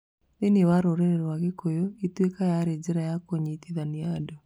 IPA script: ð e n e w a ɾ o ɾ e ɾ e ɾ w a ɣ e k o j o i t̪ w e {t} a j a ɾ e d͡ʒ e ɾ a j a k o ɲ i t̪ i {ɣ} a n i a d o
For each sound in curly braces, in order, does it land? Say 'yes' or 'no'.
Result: no, no

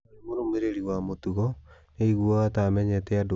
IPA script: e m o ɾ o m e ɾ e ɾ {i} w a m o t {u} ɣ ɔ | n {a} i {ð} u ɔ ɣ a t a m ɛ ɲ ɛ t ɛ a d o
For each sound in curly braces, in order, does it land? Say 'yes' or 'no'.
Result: yes, yes, no, no

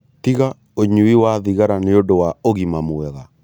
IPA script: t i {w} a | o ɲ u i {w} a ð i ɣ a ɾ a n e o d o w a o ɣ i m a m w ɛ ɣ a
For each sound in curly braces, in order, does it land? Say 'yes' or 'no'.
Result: no, yes

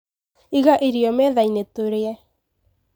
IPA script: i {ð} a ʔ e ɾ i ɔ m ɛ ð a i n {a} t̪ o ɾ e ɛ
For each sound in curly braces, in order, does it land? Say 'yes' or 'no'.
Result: no, no

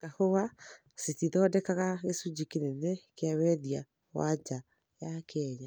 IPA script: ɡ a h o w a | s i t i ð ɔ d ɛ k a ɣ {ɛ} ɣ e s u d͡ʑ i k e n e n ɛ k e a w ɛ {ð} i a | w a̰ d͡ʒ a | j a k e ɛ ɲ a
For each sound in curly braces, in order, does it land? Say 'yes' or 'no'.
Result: no, yes

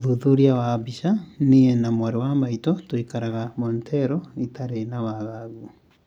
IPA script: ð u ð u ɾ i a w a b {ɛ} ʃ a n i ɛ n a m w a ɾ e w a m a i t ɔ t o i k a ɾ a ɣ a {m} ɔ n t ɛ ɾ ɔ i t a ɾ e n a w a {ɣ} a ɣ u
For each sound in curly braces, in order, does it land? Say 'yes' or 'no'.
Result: no, yes, yes

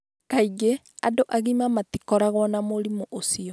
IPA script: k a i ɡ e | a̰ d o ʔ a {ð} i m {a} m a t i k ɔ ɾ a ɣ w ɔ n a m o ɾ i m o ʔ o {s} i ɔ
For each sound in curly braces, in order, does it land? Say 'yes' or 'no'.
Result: no, yes, yes

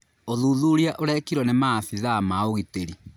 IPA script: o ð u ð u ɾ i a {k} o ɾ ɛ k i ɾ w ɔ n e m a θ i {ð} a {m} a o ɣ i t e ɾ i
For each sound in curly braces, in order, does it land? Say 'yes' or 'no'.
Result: no, yes, yes

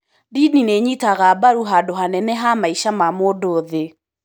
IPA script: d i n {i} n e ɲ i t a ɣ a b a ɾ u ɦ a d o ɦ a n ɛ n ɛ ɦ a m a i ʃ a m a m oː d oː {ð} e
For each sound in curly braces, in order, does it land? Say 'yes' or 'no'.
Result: yes, yes

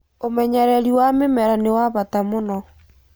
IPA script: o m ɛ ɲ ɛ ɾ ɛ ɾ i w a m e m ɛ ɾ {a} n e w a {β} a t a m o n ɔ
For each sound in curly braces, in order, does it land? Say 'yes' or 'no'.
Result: yes, yes

